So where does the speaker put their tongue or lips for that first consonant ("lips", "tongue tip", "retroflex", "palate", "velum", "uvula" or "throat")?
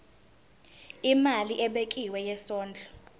lips